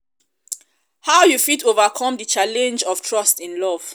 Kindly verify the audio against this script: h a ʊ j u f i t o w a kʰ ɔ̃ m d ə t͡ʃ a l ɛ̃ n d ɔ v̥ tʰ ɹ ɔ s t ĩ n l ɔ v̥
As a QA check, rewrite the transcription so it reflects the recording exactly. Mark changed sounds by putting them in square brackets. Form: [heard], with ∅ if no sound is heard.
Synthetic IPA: h a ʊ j u f i t o [v] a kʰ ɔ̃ m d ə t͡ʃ a l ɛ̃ n [d͡ʒ] ɔ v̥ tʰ ɹ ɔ s t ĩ n l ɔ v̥